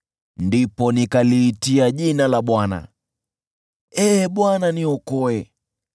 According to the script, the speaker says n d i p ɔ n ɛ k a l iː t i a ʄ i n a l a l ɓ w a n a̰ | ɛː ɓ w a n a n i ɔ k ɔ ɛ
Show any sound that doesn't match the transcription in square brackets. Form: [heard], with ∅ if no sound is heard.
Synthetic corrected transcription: n d i p ɔ n [i] k a l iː t i a ʄ i n a l a [∅] ɓ w a n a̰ | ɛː ɓ w a n a n i ɔ k ɔ ɛ

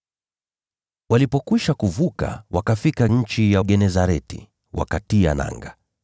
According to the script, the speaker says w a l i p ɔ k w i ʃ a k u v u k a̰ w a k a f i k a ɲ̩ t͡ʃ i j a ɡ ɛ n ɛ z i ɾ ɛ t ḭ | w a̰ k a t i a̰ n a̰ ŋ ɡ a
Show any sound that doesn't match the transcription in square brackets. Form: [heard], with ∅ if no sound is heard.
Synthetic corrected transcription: w a l i p ɔ k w i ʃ a k u v u k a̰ w a k a f i k a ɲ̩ t͡ʃ i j a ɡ ɛ n ɛ z [a] ɾ ɛ t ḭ | w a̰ k a t i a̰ n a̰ ŋ ɡ a

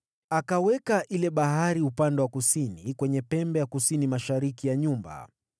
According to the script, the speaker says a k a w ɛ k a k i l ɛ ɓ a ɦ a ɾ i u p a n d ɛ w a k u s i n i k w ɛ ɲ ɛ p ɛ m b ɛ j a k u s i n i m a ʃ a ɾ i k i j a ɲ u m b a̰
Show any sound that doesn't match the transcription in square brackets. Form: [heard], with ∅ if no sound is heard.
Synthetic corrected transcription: a k a w ɛ k a [ʔ] i l ɛ ɓ a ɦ a ɾ i u p a n d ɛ w a k u s i n i k w ɛ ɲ ɛ p ɛ m b ɛ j a k u s i n i m a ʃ a ɾ i k i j a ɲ u m b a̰

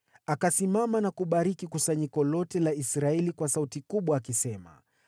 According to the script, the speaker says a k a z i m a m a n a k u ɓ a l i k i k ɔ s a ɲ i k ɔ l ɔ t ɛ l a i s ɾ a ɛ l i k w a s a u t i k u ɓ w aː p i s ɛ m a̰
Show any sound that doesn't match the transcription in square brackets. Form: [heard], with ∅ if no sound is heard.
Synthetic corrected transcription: a k a [s] i m a m a n a k u ɓ a [ɾ] i k i k [u] s a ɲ i k ɔ l ɔ t ɛ l a i s ɾ a ɛ l i k w a s a u t i k u ɓ w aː [k] i s ɛ m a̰

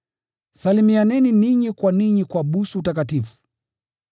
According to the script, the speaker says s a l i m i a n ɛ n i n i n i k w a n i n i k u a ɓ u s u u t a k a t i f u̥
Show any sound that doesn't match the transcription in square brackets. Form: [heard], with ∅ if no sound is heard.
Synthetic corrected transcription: s a l i m i a n ɛ n i n i [ɲ] i k w a n i [ɲ] i k [w] a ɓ u s u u t a k a t i f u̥

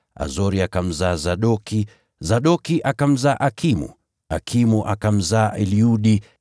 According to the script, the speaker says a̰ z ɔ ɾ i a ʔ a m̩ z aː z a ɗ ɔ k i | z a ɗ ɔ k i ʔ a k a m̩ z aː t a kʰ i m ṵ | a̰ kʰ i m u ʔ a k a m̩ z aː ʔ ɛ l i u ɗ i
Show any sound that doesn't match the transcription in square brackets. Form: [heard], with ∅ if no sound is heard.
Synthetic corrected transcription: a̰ z ɔ ɾ i a [k] a m̩ z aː z a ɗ ɔ k i | z a ɗ ɔ k i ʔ a k a m̩ z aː [ʔ] a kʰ i m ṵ | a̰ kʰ i m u ʔ a k a m̩ z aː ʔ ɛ l i u ɗ i

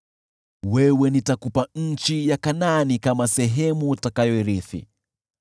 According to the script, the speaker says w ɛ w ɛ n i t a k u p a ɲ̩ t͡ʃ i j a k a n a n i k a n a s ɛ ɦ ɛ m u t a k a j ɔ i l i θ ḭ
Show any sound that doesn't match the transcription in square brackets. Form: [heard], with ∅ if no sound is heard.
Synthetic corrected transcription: w ɛ w ɛ n i t a k u p a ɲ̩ t͡ʃ i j a k a n a n i k a [m] a s ɛ ɦ ɛ m u t a k a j ɔ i [ɾ] i θ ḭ

